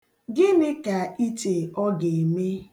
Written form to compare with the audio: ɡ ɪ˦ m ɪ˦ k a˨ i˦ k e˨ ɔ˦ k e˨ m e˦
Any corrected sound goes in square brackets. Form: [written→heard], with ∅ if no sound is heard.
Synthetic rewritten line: ɡ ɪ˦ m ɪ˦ k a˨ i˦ [k→t] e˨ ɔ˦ [k→ɡ] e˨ m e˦